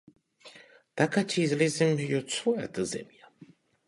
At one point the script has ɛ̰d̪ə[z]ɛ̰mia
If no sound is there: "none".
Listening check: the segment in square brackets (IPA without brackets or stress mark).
z